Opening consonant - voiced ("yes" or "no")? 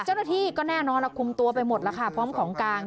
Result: no